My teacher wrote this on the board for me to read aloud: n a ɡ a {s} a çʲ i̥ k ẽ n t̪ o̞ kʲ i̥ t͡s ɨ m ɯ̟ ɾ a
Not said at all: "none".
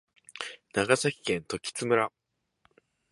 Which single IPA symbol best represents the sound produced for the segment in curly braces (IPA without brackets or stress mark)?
s